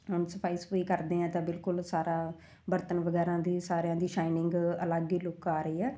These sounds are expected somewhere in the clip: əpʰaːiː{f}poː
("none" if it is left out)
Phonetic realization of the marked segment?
s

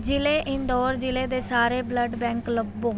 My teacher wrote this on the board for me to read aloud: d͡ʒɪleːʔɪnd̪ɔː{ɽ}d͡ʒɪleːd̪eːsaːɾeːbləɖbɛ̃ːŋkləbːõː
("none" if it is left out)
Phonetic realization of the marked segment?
ɾ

